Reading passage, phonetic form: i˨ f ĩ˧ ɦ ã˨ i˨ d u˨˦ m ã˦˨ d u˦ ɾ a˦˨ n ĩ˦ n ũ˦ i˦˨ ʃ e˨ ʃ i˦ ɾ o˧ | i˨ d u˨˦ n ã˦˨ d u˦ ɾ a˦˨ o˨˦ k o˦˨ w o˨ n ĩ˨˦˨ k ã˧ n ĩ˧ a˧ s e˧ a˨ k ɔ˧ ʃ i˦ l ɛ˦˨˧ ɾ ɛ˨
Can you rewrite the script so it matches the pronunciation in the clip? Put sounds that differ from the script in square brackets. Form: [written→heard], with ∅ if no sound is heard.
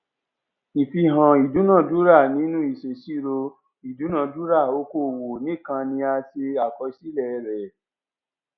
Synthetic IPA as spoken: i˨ f [ĩ˧→i˧] ɦ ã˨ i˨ d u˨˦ [m→n] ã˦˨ d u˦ ɾ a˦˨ n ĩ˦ n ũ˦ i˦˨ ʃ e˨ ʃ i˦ ɾ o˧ | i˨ d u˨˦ n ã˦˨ d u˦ ɾ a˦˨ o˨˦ k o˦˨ w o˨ n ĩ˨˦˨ k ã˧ n ĩ˧ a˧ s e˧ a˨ k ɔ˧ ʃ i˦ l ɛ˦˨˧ ɾ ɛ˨